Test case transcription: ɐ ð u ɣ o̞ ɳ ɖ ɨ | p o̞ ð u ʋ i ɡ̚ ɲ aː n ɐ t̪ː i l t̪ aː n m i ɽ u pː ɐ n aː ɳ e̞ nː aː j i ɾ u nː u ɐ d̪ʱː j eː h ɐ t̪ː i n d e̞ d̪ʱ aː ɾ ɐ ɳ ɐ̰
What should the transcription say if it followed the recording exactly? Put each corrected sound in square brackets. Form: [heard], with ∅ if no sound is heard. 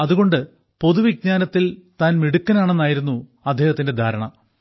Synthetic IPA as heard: ɐ ð u ɣ o̞ ɳ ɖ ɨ | p o̞ ð u ʋ i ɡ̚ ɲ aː n ɐ t̪ː i l t̪ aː n m i ɽ u [kː] ɐ n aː ɳ e̞ nː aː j i ɾ u nː u ɐ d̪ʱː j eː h ɐ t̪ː i n d e̞ d̪ʱ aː ɾ ɐ ɳ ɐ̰